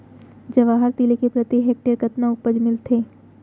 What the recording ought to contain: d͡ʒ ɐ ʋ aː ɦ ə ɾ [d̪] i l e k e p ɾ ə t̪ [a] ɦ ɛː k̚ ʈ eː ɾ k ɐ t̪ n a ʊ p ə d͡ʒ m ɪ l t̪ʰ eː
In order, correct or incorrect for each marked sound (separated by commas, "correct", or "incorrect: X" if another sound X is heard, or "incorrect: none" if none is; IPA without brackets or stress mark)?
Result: incorrect: t̪, incorrect: i